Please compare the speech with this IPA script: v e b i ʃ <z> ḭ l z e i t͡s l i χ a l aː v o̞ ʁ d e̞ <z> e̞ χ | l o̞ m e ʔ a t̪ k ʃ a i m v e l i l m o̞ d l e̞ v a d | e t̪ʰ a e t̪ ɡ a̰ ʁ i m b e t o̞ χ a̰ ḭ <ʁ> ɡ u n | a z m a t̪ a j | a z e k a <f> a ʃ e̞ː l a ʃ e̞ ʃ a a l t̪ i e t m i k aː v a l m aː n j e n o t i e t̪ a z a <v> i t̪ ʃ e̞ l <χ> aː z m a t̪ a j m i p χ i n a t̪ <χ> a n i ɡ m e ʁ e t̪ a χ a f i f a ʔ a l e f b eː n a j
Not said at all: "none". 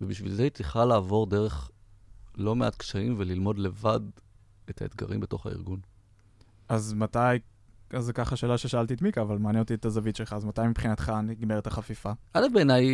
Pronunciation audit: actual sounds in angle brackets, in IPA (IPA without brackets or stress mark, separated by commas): v, ʁ, ʁ, χ, v, χ, χ